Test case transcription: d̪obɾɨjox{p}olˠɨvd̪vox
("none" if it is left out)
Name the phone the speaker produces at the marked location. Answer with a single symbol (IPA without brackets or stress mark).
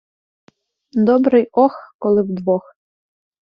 k